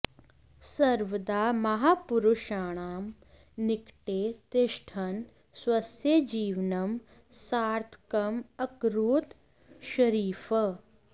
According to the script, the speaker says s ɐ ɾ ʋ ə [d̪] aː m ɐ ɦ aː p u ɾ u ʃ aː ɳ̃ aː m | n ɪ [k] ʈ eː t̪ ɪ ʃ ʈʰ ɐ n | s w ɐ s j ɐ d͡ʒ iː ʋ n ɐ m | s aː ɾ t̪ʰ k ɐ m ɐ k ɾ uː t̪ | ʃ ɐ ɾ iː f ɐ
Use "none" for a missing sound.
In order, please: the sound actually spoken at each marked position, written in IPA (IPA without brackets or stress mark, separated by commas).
d̪, k